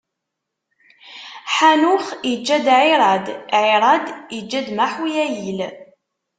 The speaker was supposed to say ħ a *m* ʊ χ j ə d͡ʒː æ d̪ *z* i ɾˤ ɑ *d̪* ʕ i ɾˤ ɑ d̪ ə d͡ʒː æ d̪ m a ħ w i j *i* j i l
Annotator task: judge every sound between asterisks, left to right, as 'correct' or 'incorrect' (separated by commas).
incorrect, incorrect, correct, incorrect